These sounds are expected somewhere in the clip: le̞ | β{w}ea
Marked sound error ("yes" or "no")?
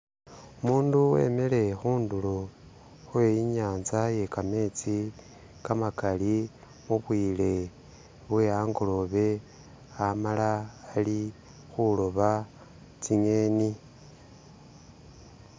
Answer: no